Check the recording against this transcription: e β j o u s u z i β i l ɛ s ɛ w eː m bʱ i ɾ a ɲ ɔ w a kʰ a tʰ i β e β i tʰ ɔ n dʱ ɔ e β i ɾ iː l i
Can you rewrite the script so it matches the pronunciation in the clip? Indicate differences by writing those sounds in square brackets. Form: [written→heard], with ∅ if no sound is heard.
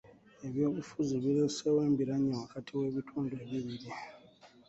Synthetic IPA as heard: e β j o u [s→f] u z i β i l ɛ s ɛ w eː m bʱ i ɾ a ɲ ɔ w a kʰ a tʰ i [β→w] e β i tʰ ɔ n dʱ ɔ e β i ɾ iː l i